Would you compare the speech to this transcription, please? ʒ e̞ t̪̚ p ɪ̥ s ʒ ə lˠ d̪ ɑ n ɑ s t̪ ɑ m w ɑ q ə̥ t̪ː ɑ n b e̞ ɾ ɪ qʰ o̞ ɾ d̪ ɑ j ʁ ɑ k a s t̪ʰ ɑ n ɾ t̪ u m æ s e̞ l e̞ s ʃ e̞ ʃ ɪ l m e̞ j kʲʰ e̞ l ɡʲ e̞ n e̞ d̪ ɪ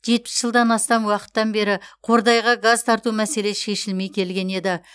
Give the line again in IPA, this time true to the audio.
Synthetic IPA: ʒ e̞ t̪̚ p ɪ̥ s ʒ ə lˠ d̪ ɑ n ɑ s t̪ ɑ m w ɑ q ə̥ t̪ː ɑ n b e̞ ɾ ɪ qʰ o̞ ɾ d̪ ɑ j ʁ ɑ ɡ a z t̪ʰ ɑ ɾ t̪ u m æ s e̞ l e̞ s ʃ e̞ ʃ ɪ l m e̞ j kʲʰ e̞ l ɡʲ e̞ n e̞ d̪ ɪ